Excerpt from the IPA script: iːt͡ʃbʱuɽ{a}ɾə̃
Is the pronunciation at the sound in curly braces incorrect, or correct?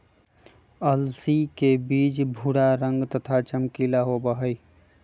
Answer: correct